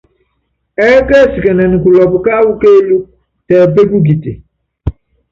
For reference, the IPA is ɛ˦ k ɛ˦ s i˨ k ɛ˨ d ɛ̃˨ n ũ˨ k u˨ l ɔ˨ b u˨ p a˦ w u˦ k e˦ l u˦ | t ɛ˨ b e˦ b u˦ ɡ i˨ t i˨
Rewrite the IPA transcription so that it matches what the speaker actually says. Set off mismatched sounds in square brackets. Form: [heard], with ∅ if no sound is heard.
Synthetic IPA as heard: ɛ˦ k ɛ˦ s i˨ k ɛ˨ [n] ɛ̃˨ n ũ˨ k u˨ l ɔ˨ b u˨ [k] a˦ w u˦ k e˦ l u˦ | t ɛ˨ b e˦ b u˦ ɡ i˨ t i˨